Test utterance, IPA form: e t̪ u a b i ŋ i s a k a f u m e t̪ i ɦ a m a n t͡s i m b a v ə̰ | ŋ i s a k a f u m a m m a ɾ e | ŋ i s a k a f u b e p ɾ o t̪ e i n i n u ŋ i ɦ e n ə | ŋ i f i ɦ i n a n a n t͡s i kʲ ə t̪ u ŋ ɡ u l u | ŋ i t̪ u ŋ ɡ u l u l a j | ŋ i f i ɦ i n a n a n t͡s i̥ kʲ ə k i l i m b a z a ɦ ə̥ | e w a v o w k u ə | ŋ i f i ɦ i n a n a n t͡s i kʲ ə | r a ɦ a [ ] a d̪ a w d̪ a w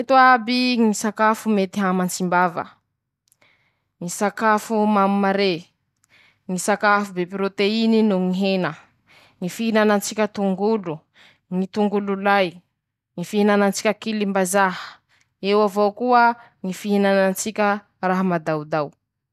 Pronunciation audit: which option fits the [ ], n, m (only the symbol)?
m